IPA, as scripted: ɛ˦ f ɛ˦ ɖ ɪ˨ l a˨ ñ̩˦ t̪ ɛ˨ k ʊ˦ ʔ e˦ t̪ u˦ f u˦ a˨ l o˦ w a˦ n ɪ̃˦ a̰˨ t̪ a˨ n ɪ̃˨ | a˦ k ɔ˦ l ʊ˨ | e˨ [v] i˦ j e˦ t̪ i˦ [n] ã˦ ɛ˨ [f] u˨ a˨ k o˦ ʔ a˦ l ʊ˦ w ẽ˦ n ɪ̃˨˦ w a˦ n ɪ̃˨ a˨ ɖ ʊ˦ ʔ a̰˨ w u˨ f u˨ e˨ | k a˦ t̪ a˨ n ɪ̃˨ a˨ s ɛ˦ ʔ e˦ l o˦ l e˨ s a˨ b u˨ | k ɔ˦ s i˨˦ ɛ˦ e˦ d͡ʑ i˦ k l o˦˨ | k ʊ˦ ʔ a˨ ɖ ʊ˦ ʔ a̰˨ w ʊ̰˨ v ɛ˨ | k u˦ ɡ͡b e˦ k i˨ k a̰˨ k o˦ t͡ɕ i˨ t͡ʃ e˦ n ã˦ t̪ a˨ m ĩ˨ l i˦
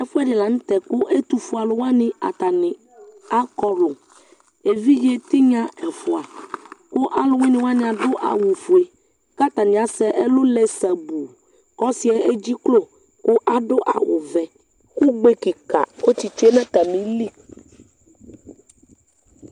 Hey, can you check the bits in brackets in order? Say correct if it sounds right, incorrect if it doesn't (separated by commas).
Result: correct, incorrect, correct